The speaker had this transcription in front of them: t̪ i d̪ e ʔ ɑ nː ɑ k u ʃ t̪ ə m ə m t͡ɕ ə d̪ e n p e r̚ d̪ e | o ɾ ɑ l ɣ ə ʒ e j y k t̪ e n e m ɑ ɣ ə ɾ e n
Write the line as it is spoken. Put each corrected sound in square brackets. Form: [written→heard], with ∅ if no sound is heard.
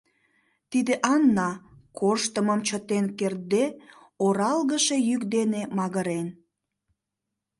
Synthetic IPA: t̪ i d̪ e ʔ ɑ nː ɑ k [u→o] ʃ t̪ ə m ə m t͡ɕ ə [d̪→t̪] e n [p→k] e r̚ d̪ e | o ɾ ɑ l ɣ ə [ʒ→ʃ] e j y k [t̪→d̪] e n e m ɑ ɣ ə ɾ e n